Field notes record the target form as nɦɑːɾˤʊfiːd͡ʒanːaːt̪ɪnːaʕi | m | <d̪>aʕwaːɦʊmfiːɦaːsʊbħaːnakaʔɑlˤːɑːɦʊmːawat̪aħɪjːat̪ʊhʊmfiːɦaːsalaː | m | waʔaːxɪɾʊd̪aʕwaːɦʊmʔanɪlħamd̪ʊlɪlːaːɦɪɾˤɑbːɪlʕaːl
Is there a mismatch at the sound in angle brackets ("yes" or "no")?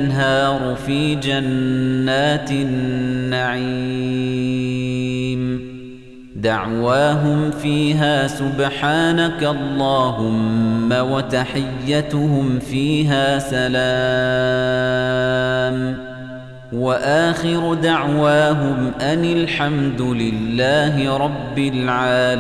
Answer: no